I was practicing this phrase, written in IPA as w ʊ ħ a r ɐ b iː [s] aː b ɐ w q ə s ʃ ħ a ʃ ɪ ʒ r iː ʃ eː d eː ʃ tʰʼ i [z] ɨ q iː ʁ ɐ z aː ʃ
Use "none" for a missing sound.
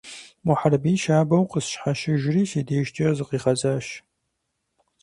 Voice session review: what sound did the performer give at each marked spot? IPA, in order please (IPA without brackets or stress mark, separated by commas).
ʃ, z